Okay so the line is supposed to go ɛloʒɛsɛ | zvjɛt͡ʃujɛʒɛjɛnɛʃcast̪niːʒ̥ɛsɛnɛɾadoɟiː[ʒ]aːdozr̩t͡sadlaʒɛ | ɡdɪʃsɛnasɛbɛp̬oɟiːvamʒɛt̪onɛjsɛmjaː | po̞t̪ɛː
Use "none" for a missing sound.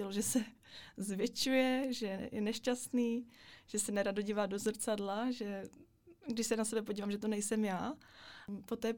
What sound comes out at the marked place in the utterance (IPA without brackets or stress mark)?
v